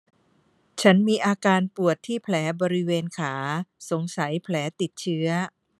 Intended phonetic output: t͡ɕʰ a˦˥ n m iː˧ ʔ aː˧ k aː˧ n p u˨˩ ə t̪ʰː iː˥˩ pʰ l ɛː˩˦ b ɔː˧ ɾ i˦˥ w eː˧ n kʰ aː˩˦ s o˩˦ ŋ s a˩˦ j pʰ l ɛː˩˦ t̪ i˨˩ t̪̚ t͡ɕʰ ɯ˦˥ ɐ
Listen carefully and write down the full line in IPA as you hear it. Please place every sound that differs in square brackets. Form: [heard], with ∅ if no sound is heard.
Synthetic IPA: t͡ɕʰ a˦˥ n m iː˧ ʔ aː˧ k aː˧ n p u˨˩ ə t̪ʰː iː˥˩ pʰ l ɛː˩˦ b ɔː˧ ɾ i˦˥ w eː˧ n kʰ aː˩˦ s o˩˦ ŋ s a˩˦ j pʰ l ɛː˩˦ t̪ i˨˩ t̪̚ t͡ɕʰ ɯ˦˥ ɐ